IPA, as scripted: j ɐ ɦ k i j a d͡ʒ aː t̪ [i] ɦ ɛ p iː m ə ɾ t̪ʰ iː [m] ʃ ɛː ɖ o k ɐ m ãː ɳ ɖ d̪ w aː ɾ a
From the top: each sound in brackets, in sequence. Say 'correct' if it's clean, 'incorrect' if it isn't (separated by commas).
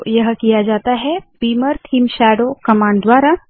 incorrect, correct